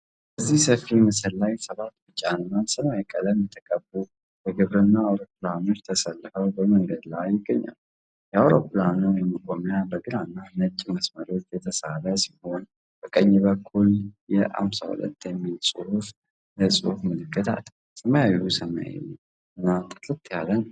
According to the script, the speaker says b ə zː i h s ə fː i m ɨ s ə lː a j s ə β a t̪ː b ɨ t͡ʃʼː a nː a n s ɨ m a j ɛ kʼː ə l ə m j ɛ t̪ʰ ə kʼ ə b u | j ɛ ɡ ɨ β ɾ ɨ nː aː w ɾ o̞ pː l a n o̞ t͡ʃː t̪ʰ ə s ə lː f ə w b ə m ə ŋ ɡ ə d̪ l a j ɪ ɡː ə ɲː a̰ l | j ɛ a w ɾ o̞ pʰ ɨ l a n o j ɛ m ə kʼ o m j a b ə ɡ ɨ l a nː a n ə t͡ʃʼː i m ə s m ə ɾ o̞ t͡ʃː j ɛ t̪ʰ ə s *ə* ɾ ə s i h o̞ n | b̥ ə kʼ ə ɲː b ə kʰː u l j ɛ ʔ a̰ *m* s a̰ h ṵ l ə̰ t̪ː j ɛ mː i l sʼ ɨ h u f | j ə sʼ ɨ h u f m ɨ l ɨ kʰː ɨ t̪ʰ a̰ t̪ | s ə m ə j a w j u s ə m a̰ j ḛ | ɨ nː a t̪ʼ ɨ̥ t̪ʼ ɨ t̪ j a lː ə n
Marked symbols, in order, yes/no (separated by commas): no, yes